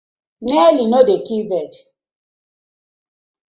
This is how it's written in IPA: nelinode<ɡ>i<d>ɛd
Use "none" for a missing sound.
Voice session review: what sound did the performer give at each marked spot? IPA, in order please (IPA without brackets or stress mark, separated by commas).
k, b